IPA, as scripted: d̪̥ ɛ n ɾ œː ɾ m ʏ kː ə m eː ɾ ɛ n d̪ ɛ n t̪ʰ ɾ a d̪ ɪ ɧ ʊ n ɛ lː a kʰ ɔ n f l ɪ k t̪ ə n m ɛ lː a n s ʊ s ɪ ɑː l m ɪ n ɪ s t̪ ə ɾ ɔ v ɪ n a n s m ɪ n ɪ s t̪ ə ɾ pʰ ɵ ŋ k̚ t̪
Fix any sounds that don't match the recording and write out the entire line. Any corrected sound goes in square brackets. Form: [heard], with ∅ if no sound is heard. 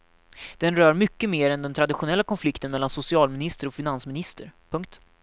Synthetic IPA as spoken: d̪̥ ɛ n ɾ œː ɾ m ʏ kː ə m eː ɾ ɛ n d̪ ɛ n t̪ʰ ɾ a d̪ ɪ ɧ ʊ n ɛ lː a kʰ ɔ n f l ɪ k t̪ ə n m ɛ lː a n s ʊ s ɪ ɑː l m ɪ n ɪ s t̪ ə ɾ ɔ [f] ɪ n a n s m ɪ n ɪ s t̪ ə ɾ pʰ ɵ ŋ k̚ t̪